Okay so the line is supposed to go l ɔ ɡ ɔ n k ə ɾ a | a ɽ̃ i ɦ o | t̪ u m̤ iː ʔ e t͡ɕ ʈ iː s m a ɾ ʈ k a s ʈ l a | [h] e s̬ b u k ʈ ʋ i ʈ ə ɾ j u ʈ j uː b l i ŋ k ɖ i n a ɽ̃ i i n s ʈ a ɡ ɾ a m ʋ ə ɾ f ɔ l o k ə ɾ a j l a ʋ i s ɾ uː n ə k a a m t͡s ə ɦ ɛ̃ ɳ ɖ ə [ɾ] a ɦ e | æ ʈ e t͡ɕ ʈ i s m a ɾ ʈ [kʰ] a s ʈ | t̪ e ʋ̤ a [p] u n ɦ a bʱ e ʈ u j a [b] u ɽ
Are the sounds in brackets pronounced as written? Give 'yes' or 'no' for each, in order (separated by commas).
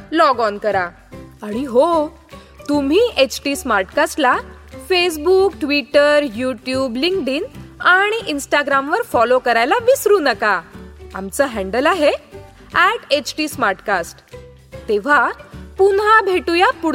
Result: no, no, no, yes, no